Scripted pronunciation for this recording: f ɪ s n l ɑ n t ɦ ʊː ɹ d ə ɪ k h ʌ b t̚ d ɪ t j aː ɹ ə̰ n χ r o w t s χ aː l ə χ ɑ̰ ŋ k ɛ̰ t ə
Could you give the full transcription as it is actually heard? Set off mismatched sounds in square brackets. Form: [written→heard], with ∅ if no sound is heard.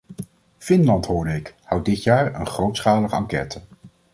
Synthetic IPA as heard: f ɪ [s→∅] n l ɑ n t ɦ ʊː ɹ d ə ɪ k h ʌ [b→w] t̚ d ɪ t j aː ɹ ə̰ n χ r o w t s χ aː l ə χ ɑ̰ ŋ k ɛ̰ t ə